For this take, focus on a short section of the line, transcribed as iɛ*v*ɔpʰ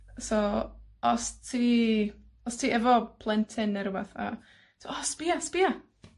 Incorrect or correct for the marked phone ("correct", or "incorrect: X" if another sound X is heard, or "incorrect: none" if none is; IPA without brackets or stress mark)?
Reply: correct